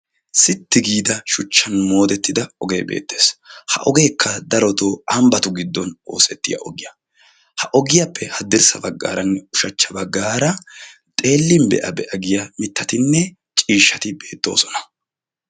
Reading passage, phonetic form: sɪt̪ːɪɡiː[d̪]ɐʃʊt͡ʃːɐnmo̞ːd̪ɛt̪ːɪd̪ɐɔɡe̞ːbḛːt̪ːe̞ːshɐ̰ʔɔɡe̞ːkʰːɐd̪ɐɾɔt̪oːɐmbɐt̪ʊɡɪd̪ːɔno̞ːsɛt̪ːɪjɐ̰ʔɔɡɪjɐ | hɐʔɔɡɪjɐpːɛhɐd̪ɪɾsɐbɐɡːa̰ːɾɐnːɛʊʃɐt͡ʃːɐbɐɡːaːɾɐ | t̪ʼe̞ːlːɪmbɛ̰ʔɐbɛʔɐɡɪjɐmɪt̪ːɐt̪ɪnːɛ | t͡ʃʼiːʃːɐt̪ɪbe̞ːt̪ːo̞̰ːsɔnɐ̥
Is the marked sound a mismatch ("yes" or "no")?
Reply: no